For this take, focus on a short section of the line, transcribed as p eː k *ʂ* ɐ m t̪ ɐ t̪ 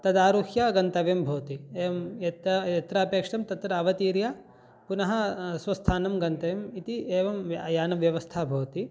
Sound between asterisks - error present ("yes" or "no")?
no